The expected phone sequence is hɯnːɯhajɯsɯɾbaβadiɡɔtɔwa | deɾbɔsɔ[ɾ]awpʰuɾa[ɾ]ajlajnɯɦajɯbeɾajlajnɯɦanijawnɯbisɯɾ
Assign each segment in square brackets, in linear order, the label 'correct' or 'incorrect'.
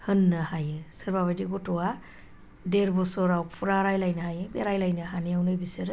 correct, correct

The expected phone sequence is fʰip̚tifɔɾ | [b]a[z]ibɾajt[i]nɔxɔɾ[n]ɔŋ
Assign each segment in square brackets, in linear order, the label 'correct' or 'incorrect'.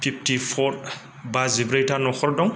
correct, correct, incorrect, incorrect

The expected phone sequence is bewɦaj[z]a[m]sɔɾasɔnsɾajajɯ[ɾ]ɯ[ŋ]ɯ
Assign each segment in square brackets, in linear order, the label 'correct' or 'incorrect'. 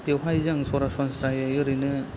correct, incorrect, correct, incorrect

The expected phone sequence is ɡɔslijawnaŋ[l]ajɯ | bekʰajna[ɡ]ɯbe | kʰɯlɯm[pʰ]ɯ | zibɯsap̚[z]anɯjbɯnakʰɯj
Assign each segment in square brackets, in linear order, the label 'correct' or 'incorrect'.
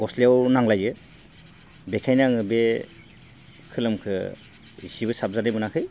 correct, incorrect, incorrect, correct

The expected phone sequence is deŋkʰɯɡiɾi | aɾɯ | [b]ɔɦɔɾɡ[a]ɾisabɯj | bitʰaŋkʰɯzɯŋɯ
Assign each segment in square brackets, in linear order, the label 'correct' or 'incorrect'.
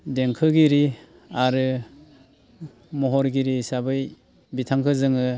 incorrect, incorrect

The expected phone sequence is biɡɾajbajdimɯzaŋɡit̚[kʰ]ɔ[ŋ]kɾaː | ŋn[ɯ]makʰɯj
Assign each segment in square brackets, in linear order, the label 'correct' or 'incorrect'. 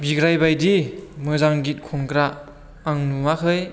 correct, correct, incorrect

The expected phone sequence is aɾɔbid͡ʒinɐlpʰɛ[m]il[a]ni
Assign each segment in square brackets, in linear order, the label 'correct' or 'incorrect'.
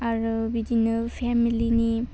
correct, incorrect

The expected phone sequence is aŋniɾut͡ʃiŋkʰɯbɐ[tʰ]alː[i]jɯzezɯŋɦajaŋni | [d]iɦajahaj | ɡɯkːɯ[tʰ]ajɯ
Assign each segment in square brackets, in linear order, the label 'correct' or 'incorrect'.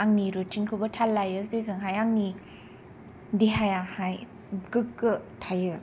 correct, incorrect, correct, correct

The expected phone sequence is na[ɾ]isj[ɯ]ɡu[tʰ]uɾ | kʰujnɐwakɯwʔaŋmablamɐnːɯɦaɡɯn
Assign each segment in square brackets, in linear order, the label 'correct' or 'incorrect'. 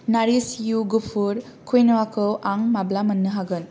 correct, incorrect, incorrect

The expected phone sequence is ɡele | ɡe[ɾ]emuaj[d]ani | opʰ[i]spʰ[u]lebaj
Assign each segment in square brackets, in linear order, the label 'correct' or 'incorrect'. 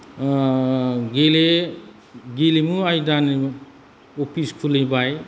incorrect, correct, correct, correct

